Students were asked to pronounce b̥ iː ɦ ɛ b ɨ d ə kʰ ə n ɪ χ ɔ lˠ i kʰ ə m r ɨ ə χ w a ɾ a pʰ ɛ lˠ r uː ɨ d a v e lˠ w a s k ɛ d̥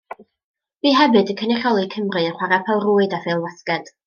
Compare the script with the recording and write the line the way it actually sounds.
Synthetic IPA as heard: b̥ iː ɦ ɛ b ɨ d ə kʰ ə n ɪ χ ɔ lˠ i kʰ ə m r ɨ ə χ w a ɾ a pʰ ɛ lˠ r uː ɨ d a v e lˠ w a s k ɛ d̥